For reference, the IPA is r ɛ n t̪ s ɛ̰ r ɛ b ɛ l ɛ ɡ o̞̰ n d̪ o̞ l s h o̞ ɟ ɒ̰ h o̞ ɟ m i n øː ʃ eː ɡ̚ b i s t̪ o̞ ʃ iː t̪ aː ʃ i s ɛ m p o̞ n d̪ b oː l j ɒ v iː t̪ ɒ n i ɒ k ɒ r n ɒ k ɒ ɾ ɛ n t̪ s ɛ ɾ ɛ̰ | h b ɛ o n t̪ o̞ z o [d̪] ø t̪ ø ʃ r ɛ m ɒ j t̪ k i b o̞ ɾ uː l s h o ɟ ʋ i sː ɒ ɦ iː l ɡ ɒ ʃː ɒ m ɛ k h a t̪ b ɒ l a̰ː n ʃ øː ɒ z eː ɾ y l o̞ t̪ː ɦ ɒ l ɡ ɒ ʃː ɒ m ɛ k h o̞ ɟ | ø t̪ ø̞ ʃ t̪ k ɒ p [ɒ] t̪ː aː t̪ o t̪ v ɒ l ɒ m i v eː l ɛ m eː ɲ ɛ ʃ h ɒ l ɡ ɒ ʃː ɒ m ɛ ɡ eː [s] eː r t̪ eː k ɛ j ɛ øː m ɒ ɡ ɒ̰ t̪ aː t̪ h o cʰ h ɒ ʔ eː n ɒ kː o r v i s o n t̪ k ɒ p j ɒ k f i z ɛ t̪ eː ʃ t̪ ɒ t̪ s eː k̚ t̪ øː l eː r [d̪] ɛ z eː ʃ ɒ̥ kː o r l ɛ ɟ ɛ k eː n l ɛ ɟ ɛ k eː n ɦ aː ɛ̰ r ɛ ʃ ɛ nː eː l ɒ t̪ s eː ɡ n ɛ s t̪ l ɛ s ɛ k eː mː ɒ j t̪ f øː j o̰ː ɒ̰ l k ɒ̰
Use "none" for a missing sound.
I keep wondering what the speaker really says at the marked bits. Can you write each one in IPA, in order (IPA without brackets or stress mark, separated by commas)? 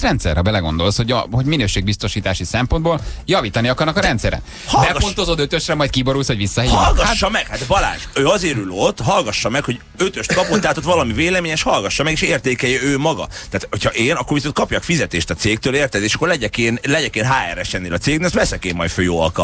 d̪, o, ʃ, t̪